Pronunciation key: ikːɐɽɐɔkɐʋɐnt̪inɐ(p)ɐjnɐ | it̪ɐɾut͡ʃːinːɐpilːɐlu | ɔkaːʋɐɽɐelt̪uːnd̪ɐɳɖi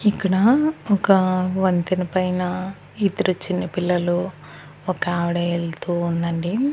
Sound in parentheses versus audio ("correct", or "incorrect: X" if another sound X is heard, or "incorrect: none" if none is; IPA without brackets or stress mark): correct